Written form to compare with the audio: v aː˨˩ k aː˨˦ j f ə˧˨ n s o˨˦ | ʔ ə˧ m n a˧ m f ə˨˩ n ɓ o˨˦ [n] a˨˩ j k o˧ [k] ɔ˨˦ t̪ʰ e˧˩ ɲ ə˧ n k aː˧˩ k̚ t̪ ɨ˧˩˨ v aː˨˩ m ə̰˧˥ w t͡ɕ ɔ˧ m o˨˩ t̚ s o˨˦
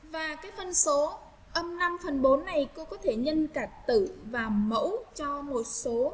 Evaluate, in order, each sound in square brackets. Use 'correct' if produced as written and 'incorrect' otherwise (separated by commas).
incorrect, correct